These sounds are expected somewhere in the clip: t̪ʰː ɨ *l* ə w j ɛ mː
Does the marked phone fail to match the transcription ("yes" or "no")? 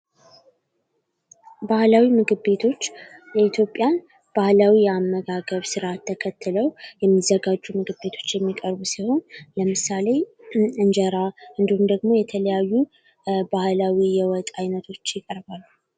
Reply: no